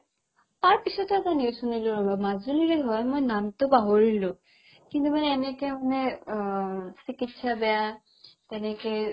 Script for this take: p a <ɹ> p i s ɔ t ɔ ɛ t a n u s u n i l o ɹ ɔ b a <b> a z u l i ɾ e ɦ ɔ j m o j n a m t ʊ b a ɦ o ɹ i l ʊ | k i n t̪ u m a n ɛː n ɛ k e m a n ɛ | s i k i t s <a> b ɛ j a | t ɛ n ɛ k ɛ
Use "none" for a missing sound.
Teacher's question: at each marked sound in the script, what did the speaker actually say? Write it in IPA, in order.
ɹ, m, a

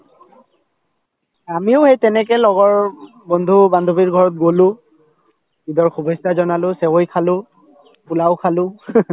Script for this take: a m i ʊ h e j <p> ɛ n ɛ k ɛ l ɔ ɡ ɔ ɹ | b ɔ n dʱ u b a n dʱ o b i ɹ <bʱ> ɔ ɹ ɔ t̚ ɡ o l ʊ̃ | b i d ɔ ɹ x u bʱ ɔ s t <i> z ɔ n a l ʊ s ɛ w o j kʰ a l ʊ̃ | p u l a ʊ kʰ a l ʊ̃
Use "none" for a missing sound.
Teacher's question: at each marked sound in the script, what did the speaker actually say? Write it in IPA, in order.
t, ɡʱ, a

